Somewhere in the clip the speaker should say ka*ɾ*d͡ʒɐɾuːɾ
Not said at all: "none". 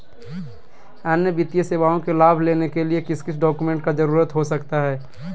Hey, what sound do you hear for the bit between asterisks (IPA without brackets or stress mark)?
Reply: none